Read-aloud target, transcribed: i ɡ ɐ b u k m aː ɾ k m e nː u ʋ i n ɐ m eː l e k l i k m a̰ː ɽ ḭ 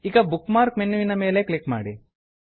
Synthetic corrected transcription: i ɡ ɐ b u k m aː ɾ k m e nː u ʋ i n ɐ m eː l e k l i k m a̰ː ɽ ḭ